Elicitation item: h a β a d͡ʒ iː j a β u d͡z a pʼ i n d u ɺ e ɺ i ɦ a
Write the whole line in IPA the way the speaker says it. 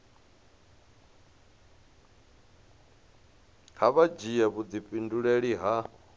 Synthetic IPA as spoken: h a β a d͡ʒ i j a β u d͡z i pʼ i n d u ɺ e ɺ i ɦ a